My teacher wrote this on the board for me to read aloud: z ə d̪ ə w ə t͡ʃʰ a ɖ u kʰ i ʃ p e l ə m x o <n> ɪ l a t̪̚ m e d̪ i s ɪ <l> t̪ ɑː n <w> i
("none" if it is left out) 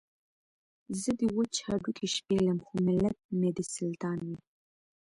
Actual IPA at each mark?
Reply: m, l, w

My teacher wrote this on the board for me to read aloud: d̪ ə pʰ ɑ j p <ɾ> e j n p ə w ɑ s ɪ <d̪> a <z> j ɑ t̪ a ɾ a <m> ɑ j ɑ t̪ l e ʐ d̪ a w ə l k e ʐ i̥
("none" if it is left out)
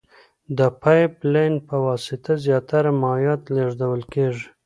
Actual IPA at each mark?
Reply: l, t̪, z, m

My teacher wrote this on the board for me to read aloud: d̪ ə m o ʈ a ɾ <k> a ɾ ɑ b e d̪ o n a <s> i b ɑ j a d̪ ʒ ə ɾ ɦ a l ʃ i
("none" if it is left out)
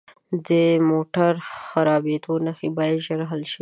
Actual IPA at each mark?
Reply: x, x

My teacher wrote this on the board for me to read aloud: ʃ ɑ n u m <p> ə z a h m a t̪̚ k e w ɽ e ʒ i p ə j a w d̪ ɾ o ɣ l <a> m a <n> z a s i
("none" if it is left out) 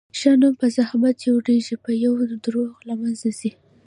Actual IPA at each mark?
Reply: p, a, n

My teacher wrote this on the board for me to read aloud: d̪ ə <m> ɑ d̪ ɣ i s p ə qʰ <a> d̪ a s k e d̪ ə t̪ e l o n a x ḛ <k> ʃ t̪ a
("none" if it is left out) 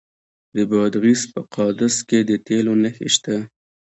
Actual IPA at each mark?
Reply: b, ɑ, none

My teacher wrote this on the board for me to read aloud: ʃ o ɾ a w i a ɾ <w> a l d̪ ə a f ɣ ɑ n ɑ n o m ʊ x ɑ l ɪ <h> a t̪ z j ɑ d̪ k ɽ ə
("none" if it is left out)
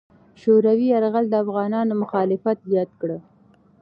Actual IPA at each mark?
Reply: ɣ, f

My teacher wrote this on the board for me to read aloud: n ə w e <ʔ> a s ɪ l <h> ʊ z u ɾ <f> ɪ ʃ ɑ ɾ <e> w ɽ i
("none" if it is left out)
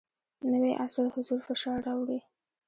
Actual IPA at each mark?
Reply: ʔ, h, f, a

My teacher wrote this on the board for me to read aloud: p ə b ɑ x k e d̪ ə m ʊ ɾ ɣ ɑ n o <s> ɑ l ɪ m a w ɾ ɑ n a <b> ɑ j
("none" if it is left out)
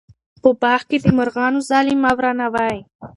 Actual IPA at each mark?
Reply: z, w

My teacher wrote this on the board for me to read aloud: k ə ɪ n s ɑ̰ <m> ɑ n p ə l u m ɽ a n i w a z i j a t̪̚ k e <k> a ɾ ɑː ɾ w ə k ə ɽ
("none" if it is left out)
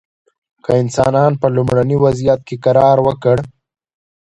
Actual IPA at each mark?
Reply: n, k

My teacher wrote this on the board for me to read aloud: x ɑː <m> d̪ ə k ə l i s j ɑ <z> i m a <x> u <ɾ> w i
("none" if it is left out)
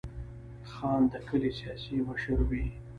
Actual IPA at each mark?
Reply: n, s, ʃ, ɾ

